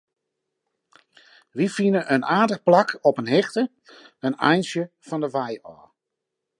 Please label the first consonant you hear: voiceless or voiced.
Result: voiced